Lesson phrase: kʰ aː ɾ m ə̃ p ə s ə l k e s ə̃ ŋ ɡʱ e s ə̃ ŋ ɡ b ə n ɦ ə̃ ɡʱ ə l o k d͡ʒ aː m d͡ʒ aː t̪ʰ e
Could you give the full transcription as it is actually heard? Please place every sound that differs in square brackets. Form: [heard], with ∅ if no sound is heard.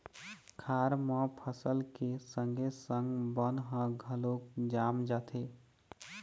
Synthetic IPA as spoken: kʰ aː ɾ m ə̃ [pʰ] ə s ə l k e s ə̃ ŋ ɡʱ e s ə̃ ŋ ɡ b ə n ɦ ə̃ ɡʱ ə l o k d͡ʒ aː m d͡ʒ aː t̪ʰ e